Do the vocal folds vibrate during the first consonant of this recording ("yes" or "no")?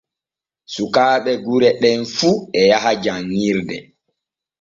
no